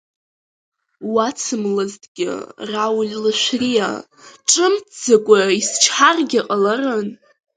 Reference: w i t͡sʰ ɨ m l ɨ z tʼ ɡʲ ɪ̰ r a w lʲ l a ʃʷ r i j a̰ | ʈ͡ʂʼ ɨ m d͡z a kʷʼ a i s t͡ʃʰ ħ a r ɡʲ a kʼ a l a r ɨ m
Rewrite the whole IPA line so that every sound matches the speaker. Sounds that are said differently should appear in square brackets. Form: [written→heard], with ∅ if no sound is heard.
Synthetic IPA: w [i→a] t͡sʰ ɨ m l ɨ z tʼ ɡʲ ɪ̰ r a w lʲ l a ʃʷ r i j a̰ | ʈ͡ʂʼ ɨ m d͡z a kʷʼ a i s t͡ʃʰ ħ a r ɡʲ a [kʼ→qʼ] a l a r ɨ [m→n]